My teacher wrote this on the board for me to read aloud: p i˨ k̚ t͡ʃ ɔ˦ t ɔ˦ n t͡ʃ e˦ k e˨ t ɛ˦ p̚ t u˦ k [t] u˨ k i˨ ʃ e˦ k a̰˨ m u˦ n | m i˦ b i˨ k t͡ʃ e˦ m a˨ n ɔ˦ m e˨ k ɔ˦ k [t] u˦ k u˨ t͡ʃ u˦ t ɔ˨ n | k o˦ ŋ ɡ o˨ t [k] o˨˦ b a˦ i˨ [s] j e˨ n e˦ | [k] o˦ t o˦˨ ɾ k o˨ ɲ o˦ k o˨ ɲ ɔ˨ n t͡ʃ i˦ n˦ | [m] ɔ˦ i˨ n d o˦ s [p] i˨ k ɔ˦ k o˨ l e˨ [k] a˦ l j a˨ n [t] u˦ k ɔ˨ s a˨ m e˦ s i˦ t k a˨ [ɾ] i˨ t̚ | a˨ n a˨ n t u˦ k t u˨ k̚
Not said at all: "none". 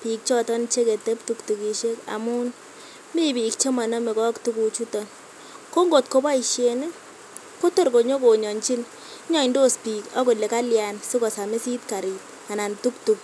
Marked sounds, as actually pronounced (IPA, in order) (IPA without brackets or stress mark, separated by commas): t, t, k, ʃ, k, ɲ, p, k, s, ɾ